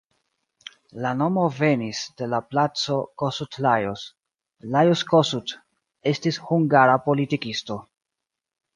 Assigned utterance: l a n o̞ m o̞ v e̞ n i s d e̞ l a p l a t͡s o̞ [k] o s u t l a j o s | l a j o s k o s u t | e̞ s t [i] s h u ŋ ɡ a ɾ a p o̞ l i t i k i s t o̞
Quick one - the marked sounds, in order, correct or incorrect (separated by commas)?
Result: correct, correct